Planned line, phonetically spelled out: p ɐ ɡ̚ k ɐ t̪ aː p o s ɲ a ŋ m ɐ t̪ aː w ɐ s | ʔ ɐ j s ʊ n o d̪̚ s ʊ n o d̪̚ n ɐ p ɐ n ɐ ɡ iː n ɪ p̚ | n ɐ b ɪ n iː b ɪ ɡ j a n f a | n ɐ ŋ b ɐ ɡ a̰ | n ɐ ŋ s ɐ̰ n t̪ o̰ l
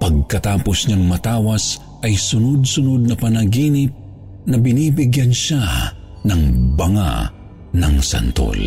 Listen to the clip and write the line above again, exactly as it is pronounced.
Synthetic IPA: p ɐ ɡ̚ k ɐ t̪ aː p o s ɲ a ŋ m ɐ t̪ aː w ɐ s | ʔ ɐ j s ʊ n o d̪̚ s ʊ n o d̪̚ n ɐ p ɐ n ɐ ɡ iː n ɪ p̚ | n ɐ b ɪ n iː b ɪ ɡ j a n ʃ a | n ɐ ŋ b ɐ ŋ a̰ | n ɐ ŋ s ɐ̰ n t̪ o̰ l